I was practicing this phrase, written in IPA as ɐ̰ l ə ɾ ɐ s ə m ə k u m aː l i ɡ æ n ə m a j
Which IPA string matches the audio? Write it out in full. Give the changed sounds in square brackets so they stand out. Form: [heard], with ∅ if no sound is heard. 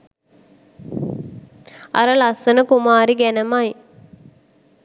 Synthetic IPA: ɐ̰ [ɾ] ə [l] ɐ s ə [n] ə k u m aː [ɾ] i ɡ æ n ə m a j